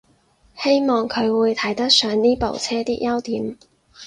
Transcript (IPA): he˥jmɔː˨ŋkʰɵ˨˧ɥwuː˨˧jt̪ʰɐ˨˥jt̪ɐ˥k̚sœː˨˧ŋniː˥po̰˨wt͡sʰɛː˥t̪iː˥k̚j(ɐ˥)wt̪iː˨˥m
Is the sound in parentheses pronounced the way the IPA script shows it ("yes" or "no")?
yes